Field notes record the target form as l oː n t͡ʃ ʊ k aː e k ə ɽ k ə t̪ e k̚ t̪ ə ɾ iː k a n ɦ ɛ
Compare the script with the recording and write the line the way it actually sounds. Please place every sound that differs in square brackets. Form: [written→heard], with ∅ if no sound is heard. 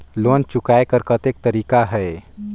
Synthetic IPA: l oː n t͡ʃ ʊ k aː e k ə [ɽ→ɾ] k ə t̪ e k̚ t̪ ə ɾ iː k a [n→∅] ɦ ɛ